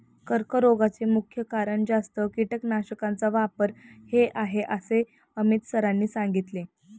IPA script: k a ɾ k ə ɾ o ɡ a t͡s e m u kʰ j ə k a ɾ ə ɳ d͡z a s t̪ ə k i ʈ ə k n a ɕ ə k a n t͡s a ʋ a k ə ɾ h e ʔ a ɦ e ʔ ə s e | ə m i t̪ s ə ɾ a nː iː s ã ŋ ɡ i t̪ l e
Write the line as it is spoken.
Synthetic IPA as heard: k ə ɾ k ə ɾ o ɡ a t͡s e m u kʰ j ə k a ɾ ə ɳ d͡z a s t̪ ə k i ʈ ə k n a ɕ ə k a n t͡s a ʋ a p ə ɾ h e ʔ a ɦ e ʔ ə s e | ə m i t̪ s ə ɾ a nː iː s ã ŋ ɡ i t̪ l e